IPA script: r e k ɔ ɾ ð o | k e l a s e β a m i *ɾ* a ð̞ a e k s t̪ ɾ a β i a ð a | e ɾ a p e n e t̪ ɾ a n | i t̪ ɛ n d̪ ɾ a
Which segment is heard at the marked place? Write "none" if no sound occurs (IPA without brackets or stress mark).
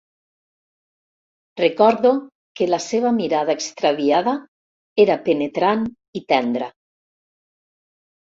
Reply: ɾ